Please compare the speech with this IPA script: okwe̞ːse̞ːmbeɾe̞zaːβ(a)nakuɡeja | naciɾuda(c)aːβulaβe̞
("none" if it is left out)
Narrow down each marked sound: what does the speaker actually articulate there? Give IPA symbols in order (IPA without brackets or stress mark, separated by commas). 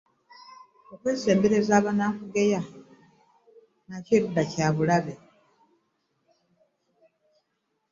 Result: a, c